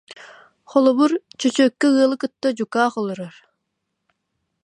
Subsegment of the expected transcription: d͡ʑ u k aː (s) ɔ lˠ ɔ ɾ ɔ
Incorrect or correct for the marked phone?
incorrect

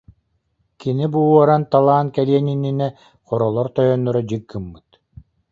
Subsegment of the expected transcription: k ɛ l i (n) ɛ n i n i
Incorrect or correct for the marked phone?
incorrect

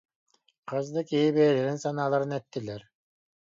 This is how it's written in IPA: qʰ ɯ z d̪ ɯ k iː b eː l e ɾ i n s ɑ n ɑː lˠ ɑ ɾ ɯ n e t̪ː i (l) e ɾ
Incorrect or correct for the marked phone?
correct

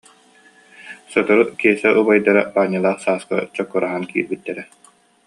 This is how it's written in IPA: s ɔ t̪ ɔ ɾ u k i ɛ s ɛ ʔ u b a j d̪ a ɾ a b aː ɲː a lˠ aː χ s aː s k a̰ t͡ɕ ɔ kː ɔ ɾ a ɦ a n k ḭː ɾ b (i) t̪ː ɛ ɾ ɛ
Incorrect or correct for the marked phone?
correct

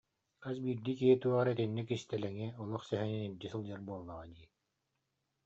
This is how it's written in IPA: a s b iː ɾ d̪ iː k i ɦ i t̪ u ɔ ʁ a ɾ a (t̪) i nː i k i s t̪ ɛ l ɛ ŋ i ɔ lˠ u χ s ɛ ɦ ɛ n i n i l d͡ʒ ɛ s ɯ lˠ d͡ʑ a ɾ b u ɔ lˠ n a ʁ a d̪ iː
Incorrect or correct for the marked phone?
correct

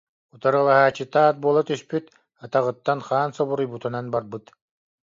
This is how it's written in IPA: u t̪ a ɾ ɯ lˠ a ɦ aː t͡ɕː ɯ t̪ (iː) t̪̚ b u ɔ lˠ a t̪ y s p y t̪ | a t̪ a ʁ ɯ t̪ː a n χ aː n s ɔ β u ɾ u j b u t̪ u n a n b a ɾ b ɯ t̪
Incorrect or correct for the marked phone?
incorrect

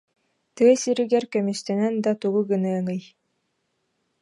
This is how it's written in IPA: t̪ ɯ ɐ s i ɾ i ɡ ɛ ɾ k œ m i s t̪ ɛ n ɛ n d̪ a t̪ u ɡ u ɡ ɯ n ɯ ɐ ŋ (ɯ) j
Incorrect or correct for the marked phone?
correct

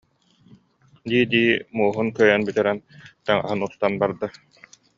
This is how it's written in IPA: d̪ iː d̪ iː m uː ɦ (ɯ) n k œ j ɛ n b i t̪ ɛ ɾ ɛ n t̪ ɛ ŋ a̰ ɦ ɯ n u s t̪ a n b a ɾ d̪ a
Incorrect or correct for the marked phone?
incorrect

